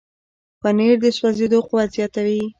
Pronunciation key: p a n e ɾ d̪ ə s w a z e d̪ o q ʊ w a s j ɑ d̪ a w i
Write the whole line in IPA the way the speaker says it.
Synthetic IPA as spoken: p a n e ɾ d̪ ə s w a z e d̪ o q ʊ w a z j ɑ t̪ a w i